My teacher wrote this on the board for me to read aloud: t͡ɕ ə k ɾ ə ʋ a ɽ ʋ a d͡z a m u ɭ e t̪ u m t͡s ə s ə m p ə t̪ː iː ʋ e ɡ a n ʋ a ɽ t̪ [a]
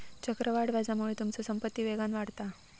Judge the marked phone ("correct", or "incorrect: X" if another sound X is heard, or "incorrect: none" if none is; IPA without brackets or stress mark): correct